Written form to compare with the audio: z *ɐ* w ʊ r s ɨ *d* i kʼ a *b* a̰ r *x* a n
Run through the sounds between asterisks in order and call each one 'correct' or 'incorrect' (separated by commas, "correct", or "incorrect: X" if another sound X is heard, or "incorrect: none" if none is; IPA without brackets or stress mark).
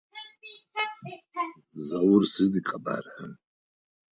incorrect: a, correct, correct, incorrect: ħ